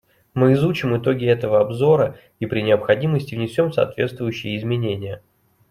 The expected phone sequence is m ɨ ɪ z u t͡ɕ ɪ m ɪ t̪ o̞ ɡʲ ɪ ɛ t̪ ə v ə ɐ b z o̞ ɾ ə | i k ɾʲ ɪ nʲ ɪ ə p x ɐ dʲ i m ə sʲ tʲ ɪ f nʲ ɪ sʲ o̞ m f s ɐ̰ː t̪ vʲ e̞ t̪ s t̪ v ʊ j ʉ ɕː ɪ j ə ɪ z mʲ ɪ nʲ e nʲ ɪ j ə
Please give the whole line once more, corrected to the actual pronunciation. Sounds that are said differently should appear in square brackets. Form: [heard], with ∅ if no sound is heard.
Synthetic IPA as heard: m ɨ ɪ z u t͡ɕ ɪ m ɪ t̪ o̞ ɡʲ ɪ ɛ t̪ ə v ə ɐ b z o̞ ɾ ə | i [p] ɾʲ ɪ nʲ ɪ ə p x ɐ dʲ i m ə sʲ tʲ ɪ [v] nʲ ɪ sʲ o̞ m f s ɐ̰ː t̪ vʲ e̞ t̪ s t̪ v ʊ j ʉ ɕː ɪ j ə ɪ z mʲ ɪ nʲ e nʲ ɪ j ə